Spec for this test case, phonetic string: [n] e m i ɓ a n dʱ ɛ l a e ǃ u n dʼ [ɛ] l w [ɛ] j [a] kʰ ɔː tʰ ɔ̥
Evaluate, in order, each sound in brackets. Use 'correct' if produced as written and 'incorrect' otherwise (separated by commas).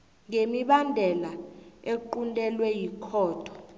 incorrect, correct, correct, incorrect